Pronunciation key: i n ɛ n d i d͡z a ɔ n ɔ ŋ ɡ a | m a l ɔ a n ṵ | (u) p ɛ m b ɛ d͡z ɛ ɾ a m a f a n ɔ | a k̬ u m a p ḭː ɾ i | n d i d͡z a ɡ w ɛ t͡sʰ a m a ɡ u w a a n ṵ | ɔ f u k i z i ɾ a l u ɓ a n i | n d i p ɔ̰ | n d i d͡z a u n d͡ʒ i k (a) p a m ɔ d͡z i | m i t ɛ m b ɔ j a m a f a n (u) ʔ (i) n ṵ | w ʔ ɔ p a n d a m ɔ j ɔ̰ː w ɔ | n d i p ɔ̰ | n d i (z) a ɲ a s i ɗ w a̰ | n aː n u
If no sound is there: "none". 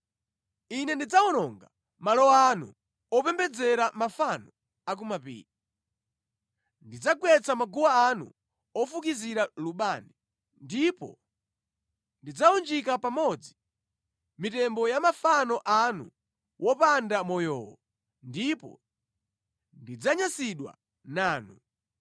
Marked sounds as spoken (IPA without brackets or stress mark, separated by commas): ɔ, a, ɔ, a, d͡z